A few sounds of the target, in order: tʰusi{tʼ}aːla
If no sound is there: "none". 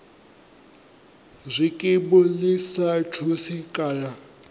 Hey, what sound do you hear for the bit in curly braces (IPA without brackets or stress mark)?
kʼ